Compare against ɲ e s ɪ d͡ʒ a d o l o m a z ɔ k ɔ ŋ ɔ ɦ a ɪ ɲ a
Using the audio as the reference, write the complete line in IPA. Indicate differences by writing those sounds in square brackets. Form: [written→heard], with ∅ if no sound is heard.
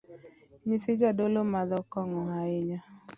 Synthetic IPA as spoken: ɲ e s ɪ d͡ʒ a d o l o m a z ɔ k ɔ ŋ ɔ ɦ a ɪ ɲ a

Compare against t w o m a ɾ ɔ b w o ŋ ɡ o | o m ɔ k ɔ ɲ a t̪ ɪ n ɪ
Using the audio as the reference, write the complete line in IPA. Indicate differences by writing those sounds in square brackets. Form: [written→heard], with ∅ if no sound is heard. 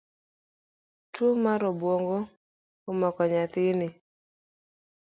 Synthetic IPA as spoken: t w o m a ɾ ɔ b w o ŋ ɡ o | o m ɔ k ɔ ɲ a t̪ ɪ n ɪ

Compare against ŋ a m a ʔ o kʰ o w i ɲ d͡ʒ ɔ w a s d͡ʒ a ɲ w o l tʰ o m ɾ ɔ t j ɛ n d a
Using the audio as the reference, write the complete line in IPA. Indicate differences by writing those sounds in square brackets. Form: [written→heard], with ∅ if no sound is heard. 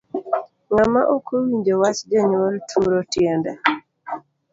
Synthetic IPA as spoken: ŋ a m a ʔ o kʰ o w i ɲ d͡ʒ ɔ w a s d͡ʒ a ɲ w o l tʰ [o→u] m ɾ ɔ t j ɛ n d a

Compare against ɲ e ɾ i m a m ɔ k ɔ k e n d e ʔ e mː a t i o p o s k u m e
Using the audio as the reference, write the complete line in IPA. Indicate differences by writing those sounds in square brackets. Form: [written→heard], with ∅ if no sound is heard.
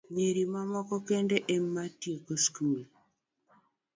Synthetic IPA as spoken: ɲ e ɾ i m a m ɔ k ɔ k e n d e ʔ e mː a t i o [p→k] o s k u m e

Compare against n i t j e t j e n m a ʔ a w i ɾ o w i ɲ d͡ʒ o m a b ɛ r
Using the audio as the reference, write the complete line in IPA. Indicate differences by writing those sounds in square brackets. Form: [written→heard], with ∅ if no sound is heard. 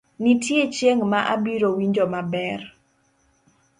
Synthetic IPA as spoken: n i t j e [t→t͡ʃ] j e [n→ŋ] m a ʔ a [w→b] i ɾ o w i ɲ d͡ʒ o m a b ɛ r

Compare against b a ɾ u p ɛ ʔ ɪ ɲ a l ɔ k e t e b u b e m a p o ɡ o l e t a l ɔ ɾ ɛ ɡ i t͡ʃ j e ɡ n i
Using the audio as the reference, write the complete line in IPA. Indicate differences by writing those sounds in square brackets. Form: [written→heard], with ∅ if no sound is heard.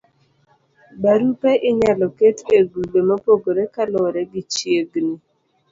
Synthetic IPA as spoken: b a ɾ u p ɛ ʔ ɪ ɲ a l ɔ k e t e [b→ɡ] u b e m a p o ɡ o [l→ɾ] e [t→k] a l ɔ ɾ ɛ ɡ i t͡ʃ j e ɡ n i

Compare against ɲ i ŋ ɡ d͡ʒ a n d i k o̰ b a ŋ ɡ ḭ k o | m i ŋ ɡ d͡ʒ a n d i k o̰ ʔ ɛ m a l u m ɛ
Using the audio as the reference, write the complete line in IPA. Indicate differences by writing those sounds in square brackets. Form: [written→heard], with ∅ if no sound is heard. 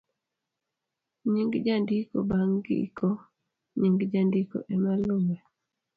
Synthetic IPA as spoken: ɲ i ŋ ɡ d͡ʒ a n d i k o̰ b a ŋ ɡ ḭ k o | [m→ɲ] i ŋ ɡ d͡ʒ a n d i k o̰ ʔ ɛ m a l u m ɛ

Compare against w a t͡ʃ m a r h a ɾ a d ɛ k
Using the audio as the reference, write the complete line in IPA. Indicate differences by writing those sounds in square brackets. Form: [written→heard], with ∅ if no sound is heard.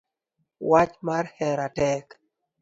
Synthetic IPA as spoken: w a t͡ʃ m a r h [a→ɛ] ɾ a [d→t] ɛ k

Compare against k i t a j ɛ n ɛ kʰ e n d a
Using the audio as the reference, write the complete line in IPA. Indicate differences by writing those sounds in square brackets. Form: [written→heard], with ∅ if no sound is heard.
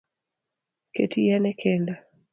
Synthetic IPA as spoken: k [i→e] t [a→i] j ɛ n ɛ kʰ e n d a

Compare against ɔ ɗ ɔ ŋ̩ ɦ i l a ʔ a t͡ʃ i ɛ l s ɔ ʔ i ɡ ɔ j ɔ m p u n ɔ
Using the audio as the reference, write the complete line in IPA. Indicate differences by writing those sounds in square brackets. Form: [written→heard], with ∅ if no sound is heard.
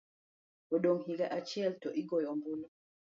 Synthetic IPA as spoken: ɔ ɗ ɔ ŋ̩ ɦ i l a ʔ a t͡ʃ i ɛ l [s→t] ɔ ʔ i ɡ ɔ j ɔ m [p→b] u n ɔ

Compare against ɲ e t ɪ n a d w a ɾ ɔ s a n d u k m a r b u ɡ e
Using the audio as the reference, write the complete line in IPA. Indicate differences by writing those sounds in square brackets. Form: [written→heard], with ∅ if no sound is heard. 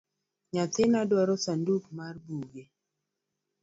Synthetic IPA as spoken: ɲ [e→a] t ɪ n a d w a ɾ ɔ s a n d u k m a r b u ɡ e

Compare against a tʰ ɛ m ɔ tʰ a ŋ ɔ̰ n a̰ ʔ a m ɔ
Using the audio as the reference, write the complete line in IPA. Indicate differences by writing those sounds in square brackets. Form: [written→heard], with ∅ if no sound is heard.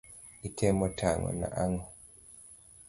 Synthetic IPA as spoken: [a→i] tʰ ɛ m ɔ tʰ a ŋ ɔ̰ n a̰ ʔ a [m→ŋ] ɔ

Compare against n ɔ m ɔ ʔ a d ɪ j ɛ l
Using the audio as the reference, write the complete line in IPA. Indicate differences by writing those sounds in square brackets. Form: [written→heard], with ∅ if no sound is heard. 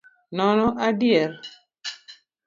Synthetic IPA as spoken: n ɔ [m→n] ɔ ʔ a d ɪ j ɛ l

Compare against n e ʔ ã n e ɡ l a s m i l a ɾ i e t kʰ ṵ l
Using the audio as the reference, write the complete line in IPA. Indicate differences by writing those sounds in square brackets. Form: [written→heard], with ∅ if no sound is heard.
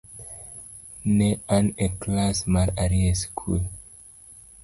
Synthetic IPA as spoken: n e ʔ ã n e [ɡ→k] l a s m [i→a] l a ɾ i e [t→s] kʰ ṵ l

